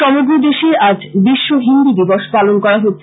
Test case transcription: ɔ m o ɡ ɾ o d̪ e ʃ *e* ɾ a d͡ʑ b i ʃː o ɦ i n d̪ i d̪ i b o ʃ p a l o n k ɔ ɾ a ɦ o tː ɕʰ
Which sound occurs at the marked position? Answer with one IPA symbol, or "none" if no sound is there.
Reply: e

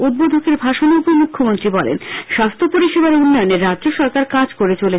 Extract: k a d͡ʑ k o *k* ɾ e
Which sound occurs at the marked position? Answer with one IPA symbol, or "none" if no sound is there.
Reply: none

